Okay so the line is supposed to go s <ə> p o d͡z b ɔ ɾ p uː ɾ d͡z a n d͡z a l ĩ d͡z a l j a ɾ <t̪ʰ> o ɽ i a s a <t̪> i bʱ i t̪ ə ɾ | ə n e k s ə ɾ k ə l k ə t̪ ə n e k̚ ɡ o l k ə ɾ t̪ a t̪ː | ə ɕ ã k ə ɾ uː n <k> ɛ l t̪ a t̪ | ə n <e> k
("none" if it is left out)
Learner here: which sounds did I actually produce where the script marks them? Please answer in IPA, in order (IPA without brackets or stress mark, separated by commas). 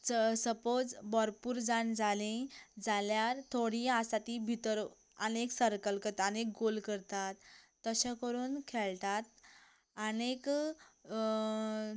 ə, t̪ʰ, t̪, kʰ, e